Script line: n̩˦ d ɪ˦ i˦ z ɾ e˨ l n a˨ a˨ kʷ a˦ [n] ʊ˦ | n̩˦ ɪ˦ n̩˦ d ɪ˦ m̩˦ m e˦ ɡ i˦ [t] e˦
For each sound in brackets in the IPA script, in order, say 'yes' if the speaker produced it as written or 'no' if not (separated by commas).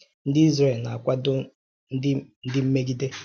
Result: no, no